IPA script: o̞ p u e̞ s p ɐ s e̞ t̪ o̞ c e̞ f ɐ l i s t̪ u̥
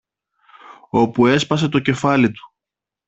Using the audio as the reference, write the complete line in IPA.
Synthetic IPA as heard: o̞ p u e̞ s p ɐ s e̞ t̪ o̞ c e̞ f ɐ l i t̪ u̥